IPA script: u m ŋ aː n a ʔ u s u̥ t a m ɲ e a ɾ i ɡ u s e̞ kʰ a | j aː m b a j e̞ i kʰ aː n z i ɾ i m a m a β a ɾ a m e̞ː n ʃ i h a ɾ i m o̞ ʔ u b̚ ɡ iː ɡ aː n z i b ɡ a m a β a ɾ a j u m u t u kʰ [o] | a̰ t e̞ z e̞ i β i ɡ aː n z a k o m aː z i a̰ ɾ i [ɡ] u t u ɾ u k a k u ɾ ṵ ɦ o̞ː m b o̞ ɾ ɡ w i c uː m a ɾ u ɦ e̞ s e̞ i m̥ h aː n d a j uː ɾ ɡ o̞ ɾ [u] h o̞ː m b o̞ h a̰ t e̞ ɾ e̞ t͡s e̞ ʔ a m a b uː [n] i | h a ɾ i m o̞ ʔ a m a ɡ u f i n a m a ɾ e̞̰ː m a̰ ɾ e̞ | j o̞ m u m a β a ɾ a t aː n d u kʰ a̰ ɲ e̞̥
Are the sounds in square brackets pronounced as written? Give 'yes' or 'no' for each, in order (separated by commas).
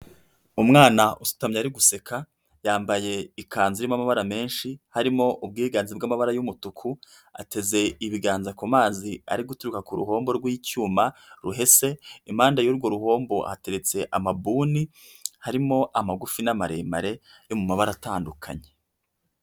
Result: no, yes, yes, yes